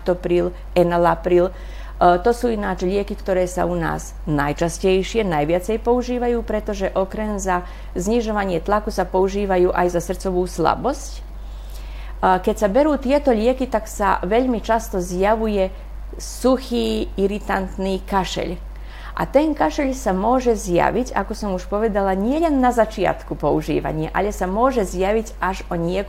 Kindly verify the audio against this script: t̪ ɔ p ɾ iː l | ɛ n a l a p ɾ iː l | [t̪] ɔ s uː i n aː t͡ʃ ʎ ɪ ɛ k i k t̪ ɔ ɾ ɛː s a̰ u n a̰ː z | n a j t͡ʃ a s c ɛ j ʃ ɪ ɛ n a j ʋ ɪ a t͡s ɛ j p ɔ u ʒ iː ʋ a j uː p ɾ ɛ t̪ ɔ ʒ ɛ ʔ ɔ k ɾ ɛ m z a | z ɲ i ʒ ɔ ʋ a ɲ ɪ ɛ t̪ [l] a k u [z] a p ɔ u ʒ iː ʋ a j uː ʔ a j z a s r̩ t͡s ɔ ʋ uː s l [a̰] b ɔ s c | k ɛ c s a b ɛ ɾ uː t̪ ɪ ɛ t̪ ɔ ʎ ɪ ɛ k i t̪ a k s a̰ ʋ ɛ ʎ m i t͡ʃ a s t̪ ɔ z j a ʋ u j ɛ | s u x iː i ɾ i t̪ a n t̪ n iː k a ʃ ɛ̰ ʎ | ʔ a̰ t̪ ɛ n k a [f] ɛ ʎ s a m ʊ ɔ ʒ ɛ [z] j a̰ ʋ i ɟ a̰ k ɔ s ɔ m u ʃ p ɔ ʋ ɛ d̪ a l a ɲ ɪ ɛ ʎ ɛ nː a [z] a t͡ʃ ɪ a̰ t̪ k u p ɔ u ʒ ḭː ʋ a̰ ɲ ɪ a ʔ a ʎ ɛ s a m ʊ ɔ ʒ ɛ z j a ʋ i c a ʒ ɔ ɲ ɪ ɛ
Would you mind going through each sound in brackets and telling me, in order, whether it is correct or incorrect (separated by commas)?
correct, correct, incorrect, correct, incorrect, correct, correct